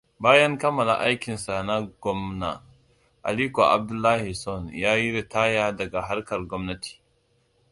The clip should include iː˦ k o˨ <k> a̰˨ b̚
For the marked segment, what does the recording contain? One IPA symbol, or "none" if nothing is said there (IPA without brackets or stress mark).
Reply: ʔ